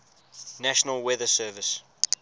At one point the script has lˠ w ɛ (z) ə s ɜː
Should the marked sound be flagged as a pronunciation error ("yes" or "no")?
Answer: yes